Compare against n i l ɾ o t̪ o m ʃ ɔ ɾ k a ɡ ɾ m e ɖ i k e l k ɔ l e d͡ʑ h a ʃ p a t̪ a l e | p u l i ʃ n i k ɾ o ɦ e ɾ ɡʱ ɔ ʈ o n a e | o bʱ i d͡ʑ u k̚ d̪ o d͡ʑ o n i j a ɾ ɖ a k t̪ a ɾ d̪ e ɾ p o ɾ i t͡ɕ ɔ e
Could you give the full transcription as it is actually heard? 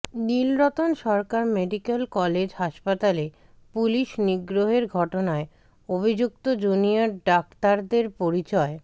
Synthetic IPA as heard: n i l ɾ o t̪ o n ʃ ɔ ɾ k a ɾ m e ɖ i k e l k ɔ l e d͡ʑ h a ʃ p a t̪ a l e | p u l i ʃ n i ɡ ɾ o ɦ e ɾ ɡʱ ɔ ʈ o n a e | o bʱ i d͡ʑ u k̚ t̪ o d͡ʑ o n i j a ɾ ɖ a k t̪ a ɾ d̪ e ɾ p o ɾ i t͡ɕ ɔ e